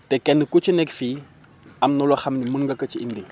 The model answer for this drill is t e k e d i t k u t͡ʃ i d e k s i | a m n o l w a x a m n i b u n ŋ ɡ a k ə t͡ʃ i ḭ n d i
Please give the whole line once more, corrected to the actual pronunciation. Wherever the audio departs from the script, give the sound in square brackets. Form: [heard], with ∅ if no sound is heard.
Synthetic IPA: t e k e [n] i [∅] k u t͡ʃ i [n] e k [f] i | a m n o l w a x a m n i [m] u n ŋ ɡ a k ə t͡ʃ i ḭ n d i